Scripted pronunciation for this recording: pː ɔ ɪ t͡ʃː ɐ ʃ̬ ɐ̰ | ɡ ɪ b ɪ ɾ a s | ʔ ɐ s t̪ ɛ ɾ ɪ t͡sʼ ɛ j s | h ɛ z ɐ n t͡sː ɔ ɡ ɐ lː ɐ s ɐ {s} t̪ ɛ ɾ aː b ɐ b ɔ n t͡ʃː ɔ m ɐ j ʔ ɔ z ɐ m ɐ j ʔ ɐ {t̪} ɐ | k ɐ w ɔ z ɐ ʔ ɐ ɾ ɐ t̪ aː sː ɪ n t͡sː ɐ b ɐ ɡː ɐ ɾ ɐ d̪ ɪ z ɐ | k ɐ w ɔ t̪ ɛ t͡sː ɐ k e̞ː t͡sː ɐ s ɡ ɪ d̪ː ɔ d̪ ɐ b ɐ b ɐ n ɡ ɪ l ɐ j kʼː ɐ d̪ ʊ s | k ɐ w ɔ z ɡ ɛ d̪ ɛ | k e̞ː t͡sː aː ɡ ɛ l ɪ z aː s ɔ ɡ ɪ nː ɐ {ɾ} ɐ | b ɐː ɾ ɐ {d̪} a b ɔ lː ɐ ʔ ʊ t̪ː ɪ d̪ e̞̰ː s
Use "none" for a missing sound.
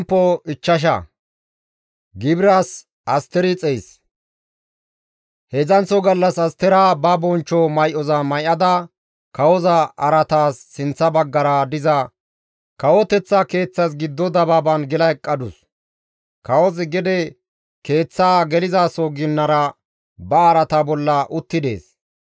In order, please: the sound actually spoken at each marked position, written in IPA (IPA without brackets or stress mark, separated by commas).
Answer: s, d̪, ɾ, t̪